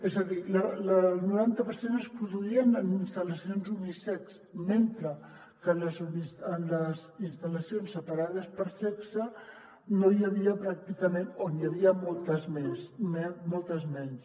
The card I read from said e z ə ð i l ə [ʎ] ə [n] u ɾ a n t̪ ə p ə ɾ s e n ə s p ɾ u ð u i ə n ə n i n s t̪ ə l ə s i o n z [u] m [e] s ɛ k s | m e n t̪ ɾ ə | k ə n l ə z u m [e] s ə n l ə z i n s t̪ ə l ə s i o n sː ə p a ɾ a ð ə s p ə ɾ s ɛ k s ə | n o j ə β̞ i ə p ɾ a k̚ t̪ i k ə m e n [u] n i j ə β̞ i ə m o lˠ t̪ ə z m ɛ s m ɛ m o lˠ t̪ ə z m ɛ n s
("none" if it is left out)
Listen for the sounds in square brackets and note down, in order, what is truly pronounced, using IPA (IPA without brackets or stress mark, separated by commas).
l, n, u, i, i, o